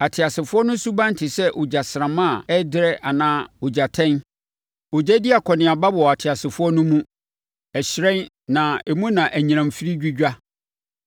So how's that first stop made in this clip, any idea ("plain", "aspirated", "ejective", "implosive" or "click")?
aspirated